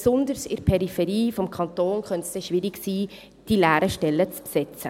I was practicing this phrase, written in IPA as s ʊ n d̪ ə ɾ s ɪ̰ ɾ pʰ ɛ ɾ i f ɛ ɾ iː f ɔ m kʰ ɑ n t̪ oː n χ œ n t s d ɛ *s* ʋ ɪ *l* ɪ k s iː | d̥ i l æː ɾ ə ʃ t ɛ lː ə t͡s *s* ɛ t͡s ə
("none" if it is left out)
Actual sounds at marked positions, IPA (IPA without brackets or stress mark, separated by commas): ʃ, ɾ, s